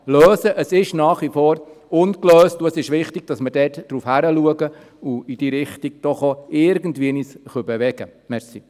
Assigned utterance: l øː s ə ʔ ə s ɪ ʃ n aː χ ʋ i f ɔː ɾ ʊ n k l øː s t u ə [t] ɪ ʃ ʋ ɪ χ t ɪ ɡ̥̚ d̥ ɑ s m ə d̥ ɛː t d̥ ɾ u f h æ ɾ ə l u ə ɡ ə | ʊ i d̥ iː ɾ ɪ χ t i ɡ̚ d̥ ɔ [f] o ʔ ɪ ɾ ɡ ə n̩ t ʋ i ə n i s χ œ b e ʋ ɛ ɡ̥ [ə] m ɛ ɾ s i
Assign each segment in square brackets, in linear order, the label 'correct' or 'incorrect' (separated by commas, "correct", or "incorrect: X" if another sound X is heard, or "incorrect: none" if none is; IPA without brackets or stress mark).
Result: incorrect: s, incorrect: χ, correct